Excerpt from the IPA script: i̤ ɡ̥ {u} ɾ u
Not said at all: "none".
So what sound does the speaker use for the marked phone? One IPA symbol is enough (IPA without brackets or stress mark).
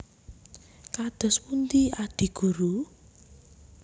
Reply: u